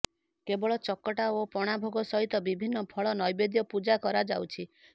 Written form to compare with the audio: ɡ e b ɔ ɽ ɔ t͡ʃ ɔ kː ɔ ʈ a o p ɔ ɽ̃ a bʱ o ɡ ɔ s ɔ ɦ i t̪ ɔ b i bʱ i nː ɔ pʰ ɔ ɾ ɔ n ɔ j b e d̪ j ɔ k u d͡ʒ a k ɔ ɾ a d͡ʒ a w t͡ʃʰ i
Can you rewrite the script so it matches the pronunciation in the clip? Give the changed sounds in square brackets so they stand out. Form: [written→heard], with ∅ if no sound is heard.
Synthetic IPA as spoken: [ɡ→k] e b ɔ [ɽ→ɭ] ɔ t͡ʃ ɔ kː ɔ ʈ a o p ɔ ɽ̃ a bʱ o ɡ ɔ s ɔ ɦ i t̪ ɔ b i bʱ i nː ɔ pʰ ɔ [ɾ→ɭ] ɔ n ɔ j b e d̪ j ɔ [k→p] u d͡ʒ a k ɔ ɾ a d͡ʒ a w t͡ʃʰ i